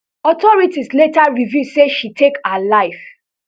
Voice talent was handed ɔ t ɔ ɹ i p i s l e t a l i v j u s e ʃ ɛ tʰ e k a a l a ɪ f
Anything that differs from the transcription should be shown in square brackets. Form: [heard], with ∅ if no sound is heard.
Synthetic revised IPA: ɔ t ɔ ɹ i [t] i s l e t a [ɹ] i v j u s e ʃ [i] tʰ e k a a l a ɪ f